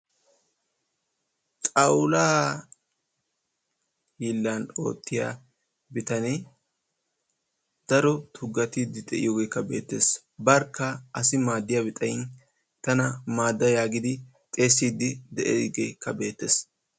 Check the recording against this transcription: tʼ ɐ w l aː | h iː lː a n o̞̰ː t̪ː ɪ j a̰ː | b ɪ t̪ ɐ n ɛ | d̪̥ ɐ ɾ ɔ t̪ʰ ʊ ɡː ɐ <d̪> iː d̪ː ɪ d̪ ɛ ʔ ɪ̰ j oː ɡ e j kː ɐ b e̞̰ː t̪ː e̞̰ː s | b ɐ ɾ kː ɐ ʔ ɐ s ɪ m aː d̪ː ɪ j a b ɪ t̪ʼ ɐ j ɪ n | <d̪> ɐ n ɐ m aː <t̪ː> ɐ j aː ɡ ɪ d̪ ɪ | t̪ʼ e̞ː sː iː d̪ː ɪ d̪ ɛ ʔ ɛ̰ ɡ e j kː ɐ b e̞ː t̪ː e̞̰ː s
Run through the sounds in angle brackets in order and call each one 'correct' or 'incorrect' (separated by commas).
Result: incorrect, incorrect, incorrect